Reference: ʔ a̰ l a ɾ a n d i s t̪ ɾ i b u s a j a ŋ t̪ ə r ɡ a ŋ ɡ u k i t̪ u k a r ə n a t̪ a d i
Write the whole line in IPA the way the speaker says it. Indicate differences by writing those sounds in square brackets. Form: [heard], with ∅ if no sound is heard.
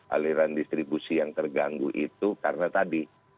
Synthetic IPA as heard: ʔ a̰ l [i] ɾ a n d i s t̪ ɾ i b u s [i] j a ŋ t̪ ə r ɡ a ŋ ɡ u [ʔ] i t̪ u k a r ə n a t̪ a d i